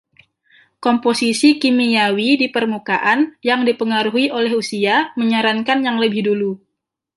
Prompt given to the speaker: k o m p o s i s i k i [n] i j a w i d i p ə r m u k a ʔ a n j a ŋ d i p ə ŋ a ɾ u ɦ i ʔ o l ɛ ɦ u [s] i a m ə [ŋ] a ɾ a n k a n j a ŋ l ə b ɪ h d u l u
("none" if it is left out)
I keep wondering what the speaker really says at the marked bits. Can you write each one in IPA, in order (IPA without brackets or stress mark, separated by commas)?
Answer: m, s, ɲ